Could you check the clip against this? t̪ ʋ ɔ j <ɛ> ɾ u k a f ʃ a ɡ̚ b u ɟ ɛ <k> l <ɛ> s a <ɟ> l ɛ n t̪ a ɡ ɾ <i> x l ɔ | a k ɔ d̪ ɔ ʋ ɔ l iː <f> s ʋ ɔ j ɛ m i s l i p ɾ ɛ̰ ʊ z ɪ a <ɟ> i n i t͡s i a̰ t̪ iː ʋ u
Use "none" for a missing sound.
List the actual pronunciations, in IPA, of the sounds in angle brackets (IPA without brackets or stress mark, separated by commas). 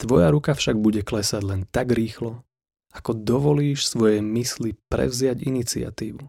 a, k, ɛ, ɟ, iː, ʃ, ɟ